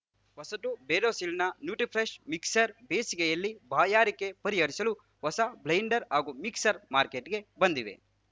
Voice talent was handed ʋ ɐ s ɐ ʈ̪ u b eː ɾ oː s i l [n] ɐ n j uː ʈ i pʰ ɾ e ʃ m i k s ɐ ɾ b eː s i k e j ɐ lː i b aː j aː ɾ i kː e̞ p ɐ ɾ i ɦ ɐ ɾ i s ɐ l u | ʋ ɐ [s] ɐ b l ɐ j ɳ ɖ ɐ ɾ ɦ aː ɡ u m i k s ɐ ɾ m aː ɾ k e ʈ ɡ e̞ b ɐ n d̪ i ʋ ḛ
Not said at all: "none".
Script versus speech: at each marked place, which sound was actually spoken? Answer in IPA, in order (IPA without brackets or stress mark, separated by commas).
n, s